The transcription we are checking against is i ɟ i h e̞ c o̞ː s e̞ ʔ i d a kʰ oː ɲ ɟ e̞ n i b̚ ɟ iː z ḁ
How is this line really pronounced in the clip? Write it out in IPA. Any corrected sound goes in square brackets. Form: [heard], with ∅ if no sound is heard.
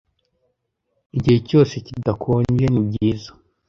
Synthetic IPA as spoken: i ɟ i h e̞ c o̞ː s e̞ [c] i d a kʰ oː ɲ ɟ e̞ n i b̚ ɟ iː z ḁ

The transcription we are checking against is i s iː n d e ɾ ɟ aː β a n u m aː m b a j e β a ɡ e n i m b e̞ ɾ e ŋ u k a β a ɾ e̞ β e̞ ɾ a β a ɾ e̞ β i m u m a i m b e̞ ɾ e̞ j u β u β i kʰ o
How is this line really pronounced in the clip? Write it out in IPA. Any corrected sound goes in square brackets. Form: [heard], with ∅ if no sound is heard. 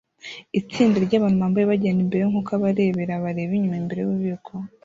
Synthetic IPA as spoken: i [t͡s] iː n d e ɾ ɟ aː β a n u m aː m b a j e β a [ɟ] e n i m b e̞ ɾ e ŋ u k a β a ɾ e̞ β e̞ ɾ a β a ɾ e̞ β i [ɲ] u m a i m b e̞ ɾ e̞ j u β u β i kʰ o

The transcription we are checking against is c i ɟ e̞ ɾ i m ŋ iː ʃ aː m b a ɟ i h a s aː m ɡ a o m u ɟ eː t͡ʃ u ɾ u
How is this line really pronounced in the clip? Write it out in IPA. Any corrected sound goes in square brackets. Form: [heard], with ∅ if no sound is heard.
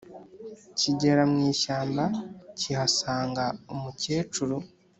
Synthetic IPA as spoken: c i ɟ e̞ ɾ [a] m ŋ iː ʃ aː m b a [c] i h a s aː [ŋ] ɡ a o m u [c] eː t͡ʃ u ɾ u

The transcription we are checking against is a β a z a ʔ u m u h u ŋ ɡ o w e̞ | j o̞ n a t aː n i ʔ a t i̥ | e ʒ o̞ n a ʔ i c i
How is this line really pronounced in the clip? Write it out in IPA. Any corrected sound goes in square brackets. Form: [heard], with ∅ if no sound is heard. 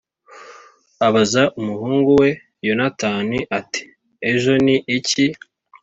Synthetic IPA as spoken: a β a z a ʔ u m u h [uː] ŋ ɡ [u] w e̞ | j o̞ n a t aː n i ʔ a t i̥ | e ʒ o̞ n [i] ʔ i c i

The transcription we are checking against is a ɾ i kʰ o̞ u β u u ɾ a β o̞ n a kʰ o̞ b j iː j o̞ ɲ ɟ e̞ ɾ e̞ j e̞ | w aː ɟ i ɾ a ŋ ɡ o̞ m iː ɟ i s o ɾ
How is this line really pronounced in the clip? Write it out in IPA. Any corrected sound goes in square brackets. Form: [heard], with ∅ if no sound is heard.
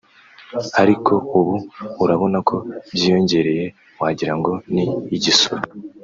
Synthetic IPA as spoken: a ɾ i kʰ o̞ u β u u ɾ a β o̞ n a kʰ o̞ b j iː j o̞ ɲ ɟ e̞ ɾ e̞ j e̞ | w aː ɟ i ɾ a ŋ ɡ o̞ [n] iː ɟ i s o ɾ

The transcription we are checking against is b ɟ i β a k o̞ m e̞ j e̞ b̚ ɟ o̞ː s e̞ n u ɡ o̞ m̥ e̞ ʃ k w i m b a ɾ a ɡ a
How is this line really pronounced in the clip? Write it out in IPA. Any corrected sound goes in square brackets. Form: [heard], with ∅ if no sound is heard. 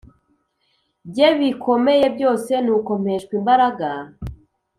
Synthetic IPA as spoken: b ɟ [e] β [i] k o̞ m e̞ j e̞ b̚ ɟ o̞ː s e̞ n u [k] o̞ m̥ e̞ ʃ k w i m b a ɾ a ɡ a

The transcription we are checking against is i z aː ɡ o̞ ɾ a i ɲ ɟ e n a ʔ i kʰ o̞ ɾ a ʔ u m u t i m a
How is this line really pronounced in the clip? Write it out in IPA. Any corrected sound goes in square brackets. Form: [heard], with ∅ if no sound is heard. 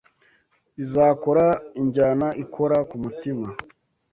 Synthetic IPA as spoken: i z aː [k] o̞ ɾ a i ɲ ɟ [a] n a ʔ i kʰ o̞ ɾ a [k] u m u t i m a

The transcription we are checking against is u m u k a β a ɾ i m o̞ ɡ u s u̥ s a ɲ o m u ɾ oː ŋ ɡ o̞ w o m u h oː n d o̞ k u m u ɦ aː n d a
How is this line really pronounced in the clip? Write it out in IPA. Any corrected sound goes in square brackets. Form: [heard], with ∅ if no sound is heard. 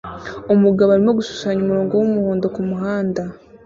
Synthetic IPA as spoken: [o] m u [ɡ] a β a ɾ i m o̞ ɡ u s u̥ s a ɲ o m u ɾ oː ŋ ɡ o̞ w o m u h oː n d o̞ k u m u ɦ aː n d a

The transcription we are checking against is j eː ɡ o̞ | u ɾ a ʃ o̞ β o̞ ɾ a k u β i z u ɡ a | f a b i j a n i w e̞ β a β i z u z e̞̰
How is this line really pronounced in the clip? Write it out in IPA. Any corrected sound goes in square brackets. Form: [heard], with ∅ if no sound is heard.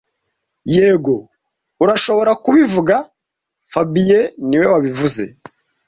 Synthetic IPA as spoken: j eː ɡ o̞ | u ɾ a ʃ o̞ β o̞ ɾ a k u β i [v] u ɡ a | f a b i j [e] n i w e̞ [w] a β i [v] u z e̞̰

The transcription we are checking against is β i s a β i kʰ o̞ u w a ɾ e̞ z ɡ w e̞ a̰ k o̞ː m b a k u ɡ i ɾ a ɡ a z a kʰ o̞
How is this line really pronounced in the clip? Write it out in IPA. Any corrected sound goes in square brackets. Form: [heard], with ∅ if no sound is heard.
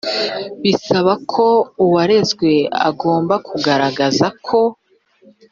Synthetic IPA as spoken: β i s a β [a] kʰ o̞ u w a ɾ e̞ z ɡ w e̞ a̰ [ɡ] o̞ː m b a k u ɡ [a] ɾ a ɡ a z a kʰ o̞

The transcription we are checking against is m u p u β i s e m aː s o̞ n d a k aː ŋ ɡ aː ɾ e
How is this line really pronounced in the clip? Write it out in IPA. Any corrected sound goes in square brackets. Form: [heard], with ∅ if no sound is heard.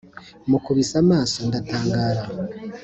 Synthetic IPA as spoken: m u [k] u β i s [a] m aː s o̞ n d a [t] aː ŋ ɡ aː ɾ [a]

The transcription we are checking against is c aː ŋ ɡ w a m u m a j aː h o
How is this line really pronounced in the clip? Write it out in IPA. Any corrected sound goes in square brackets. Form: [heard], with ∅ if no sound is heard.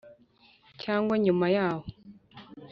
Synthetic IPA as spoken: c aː ŋ ɡ w a [ɲ] u m a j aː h o

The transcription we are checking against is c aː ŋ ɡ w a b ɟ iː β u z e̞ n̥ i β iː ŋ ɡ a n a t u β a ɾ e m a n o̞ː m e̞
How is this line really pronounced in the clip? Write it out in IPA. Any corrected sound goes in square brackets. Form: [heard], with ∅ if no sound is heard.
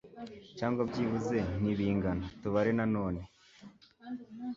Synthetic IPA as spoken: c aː ŋ ɡ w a b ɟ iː β u z e̞ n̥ i β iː ŋ ɡ a n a t u β a ɾ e [n] a n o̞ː [n] e̞

